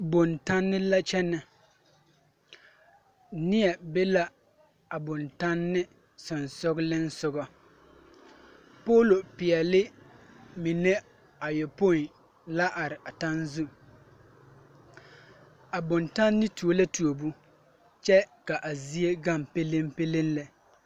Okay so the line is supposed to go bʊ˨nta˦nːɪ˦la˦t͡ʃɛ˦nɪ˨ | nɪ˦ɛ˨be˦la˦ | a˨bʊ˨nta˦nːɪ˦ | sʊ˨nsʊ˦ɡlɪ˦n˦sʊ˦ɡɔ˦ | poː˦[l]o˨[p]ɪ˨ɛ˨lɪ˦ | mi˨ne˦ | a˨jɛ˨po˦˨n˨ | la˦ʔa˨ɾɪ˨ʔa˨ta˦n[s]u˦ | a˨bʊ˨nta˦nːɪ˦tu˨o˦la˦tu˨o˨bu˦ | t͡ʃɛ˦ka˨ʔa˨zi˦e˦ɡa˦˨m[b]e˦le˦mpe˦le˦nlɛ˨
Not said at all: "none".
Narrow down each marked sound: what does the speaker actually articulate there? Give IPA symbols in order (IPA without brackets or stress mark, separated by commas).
l, p, z, p